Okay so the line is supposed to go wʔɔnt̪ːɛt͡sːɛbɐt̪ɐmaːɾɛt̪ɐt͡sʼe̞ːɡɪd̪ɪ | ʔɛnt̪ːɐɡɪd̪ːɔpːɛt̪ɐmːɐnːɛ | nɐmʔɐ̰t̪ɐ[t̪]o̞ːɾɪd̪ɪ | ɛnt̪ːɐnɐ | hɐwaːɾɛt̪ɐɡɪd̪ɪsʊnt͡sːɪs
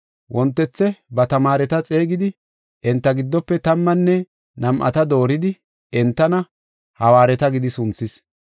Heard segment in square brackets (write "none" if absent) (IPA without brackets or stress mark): d̪